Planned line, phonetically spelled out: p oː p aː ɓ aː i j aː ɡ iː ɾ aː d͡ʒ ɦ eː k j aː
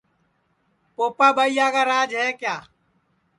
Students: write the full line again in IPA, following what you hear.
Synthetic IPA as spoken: p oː p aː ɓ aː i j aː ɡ aː ɾ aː d͡ʒ ɦ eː k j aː